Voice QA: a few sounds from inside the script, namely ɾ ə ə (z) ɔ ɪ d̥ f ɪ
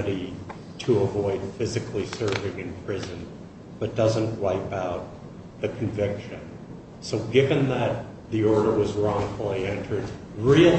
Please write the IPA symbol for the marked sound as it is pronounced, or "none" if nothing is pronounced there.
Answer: v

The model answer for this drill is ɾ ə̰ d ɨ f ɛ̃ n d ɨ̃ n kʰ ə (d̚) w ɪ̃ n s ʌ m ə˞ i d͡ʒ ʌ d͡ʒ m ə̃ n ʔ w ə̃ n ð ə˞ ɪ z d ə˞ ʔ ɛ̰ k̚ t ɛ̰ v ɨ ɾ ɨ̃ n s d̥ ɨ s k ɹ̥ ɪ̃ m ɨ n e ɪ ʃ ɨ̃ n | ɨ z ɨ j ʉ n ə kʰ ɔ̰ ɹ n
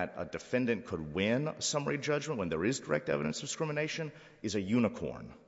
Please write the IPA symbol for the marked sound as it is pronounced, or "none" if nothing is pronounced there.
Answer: d̚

